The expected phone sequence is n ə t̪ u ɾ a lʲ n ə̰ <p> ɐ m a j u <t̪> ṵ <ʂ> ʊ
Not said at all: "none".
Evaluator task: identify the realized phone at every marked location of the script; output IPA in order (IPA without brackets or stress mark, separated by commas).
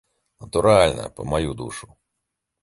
p, d̪, ʂ